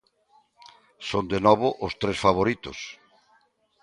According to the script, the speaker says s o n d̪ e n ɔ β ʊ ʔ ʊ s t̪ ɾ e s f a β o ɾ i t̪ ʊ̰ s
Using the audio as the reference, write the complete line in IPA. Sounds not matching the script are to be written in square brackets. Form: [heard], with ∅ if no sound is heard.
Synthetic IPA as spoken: s o n d̪ e n ɔ β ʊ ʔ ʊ s t̪ ɾ e s f a β o ɾ i t̪ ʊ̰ s